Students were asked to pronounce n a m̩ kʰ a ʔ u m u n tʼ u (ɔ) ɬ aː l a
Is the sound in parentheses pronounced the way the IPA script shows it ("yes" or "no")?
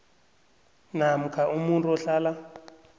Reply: yes